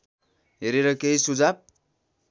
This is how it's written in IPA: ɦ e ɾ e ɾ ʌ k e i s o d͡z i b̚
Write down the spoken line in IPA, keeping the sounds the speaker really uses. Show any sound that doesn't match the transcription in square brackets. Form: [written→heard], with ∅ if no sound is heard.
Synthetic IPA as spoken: ɦ e ɾ e ɾ ʌ k e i s [o→u] d͡z [i→a] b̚